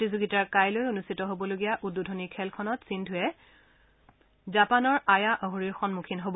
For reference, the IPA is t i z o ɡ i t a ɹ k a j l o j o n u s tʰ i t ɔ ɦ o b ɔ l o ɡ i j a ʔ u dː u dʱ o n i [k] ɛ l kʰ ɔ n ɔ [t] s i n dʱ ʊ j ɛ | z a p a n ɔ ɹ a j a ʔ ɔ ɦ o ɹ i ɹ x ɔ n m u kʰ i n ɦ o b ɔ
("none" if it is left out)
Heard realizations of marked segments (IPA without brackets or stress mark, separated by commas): kʰ, t